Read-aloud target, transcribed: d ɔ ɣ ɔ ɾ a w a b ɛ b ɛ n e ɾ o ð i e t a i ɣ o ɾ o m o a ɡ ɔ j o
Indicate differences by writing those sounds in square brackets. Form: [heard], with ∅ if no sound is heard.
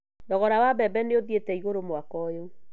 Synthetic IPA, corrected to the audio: d ɔ ɣ ɔ ɾ a w a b ɛ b ɛ n e [∅] o ð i e t [ɛ] i ɣ o ɾ o m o a [k] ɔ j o